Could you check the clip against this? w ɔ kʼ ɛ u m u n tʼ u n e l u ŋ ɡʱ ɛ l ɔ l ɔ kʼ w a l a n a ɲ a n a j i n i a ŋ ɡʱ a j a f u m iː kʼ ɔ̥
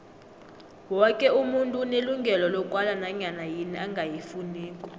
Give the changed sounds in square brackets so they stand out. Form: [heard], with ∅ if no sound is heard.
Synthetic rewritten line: w ɔ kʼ ɛ u m u n tʼ u n e l u ŋ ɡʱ ɛ l ɔ l ɔ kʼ w a l a n a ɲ a n a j i n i a ŋ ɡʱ a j [i] f u [n] iː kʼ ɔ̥